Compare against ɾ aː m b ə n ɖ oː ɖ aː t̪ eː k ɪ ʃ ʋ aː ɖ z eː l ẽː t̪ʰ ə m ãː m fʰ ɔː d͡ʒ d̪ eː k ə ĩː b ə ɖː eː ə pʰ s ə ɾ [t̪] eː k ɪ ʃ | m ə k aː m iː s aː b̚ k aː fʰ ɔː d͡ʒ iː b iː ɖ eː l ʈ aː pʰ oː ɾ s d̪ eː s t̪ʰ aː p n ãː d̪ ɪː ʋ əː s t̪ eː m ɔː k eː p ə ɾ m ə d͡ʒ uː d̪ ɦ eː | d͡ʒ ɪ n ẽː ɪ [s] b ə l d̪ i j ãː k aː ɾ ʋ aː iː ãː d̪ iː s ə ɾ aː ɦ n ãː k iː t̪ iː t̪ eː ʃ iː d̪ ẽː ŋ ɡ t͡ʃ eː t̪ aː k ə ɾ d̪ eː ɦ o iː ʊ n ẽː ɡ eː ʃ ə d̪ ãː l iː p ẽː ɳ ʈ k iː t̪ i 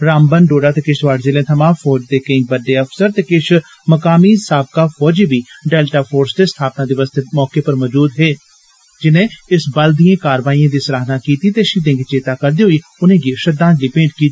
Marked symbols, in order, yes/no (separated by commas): yes, yes